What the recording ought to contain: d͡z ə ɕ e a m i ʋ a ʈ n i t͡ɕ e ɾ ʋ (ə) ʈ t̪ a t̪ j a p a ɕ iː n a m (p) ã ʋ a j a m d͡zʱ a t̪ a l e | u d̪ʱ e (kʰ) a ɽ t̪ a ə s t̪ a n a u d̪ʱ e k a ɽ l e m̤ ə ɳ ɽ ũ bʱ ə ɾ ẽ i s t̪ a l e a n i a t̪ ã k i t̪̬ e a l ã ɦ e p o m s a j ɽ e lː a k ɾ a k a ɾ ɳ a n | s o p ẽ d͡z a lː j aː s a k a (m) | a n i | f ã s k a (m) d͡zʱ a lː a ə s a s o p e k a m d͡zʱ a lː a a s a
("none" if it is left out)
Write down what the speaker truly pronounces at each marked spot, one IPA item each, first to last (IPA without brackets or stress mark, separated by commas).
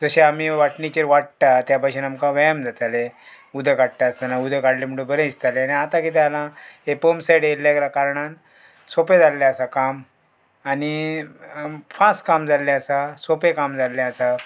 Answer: a, k, k, m, m